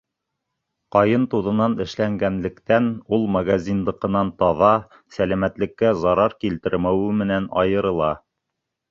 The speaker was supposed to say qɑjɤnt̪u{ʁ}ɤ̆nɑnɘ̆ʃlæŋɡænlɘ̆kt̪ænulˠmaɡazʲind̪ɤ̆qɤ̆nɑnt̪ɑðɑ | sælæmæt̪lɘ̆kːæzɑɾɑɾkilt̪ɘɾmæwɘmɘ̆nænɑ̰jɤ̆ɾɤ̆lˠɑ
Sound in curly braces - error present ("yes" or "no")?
yes